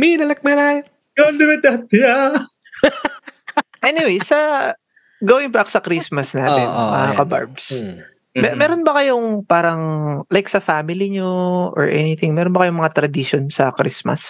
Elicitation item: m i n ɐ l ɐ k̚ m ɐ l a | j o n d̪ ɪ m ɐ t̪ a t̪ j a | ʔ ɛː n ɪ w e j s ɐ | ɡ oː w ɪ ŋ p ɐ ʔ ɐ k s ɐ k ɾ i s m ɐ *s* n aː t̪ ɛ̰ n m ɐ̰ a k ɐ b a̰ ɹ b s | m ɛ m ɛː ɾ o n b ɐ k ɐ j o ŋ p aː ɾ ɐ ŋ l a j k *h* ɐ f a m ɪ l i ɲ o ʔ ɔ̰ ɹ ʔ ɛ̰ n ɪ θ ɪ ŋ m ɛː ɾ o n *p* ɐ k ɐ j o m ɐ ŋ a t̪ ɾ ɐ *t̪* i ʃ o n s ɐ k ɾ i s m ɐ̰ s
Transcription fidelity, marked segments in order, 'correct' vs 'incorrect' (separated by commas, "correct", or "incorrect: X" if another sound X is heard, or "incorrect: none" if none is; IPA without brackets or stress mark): correct, incorrect: s, incorrect: b, incorrect: d̪